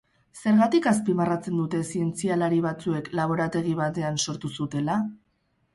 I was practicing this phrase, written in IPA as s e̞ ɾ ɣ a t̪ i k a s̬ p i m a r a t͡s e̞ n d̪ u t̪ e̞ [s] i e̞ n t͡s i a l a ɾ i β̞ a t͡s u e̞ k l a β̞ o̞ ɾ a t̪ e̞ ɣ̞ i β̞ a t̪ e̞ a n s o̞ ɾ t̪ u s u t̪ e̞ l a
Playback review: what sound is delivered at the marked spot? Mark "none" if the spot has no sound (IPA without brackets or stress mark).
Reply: s